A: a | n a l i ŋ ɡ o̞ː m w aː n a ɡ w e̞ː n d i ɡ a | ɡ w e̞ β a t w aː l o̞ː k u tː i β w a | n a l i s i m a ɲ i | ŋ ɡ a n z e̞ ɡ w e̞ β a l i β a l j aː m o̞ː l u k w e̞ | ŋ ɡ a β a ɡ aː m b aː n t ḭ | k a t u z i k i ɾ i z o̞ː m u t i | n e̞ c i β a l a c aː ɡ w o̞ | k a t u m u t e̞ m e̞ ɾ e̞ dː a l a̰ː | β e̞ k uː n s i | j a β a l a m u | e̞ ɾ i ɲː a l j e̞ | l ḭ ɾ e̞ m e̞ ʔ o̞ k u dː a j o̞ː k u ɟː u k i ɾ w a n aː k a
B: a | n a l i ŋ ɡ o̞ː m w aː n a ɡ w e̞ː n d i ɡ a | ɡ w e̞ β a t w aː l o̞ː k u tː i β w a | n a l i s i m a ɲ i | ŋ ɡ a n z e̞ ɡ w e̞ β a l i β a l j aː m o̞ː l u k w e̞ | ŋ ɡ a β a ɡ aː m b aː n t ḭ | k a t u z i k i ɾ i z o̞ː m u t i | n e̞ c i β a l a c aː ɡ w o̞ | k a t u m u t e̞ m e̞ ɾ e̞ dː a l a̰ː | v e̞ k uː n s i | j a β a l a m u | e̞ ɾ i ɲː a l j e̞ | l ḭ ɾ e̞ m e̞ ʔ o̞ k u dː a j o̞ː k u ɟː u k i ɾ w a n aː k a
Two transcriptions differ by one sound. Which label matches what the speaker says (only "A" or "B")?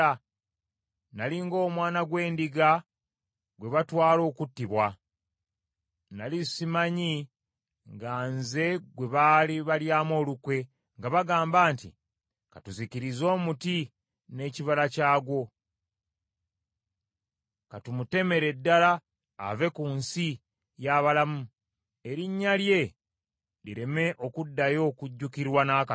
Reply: B